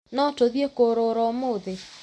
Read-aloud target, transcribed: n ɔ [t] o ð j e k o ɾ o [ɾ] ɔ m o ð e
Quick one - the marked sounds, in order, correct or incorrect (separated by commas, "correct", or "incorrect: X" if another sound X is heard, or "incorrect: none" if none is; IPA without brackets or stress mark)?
correct, correct